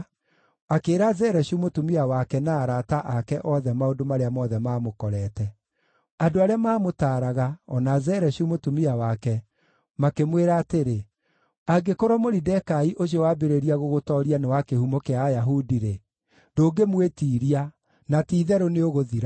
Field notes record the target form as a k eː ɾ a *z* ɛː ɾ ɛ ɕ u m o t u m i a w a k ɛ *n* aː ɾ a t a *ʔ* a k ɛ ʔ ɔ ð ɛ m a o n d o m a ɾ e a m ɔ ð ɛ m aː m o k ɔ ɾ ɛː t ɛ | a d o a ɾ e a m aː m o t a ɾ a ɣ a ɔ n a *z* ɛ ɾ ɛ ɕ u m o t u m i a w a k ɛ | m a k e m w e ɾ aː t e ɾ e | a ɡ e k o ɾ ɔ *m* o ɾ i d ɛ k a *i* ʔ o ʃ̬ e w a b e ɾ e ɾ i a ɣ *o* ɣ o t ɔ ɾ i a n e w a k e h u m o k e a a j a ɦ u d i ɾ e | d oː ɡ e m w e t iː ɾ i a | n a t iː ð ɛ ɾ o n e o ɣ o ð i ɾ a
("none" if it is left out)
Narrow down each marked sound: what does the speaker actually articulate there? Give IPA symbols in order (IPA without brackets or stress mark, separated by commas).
z, n, ʔ, z, m, i, o